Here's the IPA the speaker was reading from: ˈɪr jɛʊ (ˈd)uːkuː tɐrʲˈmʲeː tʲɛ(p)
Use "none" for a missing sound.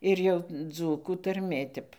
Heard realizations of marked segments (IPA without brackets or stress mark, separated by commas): d͡z, p